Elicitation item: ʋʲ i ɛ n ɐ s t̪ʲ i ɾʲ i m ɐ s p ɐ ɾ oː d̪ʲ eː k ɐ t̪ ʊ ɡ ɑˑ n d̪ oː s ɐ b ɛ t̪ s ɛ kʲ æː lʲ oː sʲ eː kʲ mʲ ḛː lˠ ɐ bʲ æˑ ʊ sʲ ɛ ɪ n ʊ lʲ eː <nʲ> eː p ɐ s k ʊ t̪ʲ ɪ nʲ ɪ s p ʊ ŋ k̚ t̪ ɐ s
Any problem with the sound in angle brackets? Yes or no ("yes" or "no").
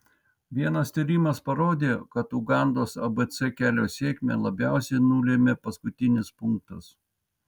yes